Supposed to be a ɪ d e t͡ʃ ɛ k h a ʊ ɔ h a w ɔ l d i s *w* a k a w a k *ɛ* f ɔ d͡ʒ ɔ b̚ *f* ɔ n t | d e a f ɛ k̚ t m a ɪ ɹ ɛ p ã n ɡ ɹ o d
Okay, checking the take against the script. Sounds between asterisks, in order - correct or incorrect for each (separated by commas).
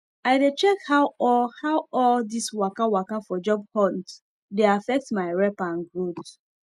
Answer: correct, incorrect, incorrect